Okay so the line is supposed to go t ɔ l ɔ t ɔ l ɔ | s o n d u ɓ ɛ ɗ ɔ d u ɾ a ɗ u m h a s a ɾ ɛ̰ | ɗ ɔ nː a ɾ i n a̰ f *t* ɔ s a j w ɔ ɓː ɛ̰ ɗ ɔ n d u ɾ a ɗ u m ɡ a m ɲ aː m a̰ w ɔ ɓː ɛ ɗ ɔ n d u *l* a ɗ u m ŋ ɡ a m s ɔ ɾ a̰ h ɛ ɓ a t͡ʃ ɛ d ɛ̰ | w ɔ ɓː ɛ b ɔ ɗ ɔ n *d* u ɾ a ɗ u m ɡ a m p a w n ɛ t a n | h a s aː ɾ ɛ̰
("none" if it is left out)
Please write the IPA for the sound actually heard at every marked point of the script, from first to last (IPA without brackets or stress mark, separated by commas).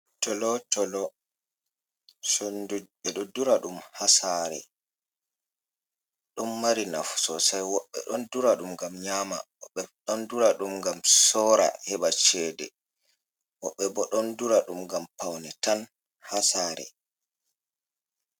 s, ɾ, d